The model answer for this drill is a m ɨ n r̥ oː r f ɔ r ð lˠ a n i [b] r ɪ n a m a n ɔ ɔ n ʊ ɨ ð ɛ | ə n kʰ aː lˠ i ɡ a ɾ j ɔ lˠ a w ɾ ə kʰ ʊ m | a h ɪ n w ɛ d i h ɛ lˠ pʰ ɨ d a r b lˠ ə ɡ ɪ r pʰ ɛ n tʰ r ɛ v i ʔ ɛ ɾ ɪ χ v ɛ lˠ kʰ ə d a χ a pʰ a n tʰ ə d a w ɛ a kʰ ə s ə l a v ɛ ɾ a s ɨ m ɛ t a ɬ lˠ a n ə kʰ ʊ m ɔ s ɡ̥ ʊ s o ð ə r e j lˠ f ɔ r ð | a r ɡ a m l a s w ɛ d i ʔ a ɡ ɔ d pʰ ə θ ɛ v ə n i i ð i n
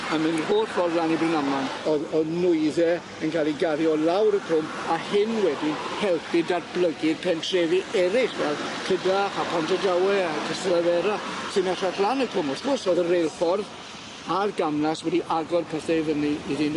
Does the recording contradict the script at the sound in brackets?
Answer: no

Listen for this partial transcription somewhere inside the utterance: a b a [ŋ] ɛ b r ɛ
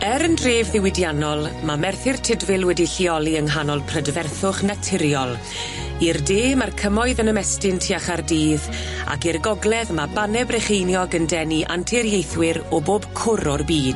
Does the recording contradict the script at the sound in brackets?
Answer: yes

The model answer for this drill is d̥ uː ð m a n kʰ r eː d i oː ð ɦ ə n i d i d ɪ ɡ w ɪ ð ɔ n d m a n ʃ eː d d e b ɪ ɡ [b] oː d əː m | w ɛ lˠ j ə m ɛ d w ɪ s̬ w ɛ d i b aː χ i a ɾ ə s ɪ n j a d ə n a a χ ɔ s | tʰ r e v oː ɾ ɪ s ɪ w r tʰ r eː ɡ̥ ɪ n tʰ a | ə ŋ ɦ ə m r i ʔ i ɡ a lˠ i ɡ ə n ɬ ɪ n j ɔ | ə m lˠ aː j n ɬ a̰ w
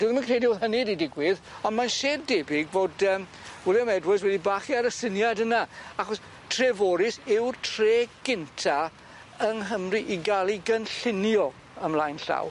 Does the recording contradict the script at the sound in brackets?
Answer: yes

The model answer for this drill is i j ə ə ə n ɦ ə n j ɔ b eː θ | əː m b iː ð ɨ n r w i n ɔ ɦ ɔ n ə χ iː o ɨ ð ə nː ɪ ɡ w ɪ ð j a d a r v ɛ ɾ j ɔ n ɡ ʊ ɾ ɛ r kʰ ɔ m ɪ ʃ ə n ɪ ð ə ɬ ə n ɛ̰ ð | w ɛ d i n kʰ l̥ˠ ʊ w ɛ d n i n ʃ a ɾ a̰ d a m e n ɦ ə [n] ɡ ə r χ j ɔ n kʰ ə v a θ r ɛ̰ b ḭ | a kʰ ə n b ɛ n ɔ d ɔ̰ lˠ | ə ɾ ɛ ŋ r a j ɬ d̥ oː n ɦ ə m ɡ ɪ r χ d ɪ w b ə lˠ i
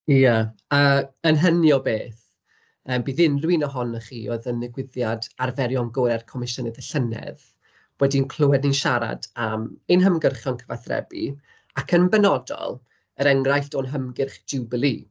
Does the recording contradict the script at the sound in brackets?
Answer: yes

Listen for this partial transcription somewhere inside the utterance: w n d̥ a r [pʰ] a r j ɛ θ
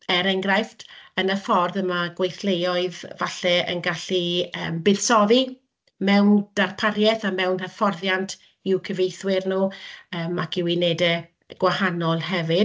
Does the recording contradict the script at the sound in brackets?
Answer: no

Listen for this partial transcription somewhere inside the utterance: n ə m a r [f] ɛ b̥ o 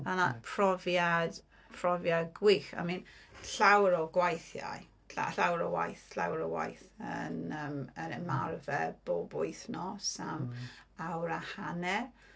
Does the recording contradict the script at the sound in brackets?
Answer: yes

